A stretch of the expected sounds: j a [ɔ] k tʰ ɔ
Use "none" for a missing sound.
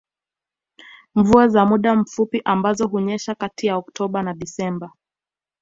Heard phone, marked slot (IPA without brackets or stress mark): ɔ